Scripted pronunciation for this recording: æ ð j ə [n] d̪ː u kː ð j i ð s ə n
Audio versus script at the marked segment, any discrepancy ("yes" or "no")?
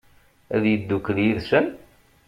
yes